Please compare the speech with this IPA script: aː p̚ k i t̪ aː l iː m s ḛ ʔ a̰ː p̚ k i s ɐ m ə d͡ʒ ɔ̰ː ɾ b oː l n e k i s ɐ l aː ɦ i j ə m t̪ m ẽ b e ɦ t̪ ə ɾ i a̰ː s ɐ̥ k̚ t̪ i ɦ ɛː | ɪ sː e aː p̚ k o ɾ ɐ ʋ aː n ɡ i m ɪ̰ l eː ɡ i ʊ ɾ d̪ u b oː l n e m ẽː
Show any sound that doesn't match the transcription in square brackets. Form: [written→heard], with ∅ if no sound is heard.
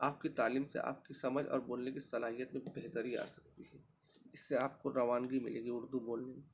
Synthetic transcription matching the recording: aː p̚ k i t̪ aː l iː m s ḛ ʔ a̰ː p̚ k i s ɐ m ə d͡ʒ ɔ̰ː ɾ b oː l n e k i s ɐ l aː ɦ i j ə [m→∅] t̪ m ẽ b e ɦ t̪ ə ɾ i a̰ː s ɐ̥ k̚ t̪ i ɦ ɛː | ɪ sː e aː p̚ k o ɾ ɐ ʋ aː n ɡ i m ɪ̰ l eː ɡ i ʊ ɾ d̪ u b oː l n e m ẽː